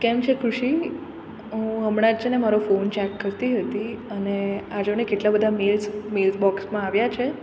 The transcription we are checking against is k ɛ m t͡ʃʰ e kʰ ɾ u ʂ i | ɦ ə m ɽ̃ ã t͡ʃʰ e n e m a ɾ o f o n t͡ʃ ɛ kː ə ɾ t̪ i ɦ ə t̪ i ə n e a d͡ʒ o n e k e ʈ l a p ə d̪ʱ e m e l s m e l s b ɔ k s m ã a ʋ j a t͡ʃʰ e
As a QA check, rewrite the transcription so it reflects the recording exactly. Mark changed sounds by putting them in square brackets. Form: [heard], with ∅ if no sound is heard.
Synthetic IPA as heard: k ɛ m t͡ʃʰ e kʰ ɾ u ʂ i | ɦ ə m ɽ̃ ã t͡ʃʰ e n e m a ɾ o f o n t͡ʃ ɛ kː ə ɾ t̪ i ɦ ə t̪ i ə n e a d͡ʒ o n e k e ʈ l a [b] ə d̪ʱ [a] m e l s m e l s b ɔ k s m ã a ʋ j a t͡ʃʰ e